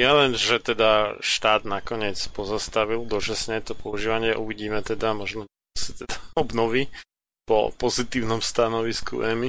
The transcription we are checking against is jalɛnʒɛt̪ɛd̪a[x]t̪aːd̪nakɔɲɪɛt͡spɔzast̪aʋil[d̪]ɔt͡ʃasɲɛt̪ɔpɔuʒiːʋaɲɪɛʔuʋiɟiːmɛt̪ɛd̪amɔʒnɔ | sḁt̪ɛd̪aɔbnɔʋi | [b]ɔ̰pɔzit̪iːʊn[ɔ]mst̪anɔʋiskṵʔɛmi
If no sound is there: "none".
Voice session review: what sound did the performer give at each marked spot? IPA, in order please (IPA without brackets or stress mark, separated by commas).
ʃ, d̪, p, ɔ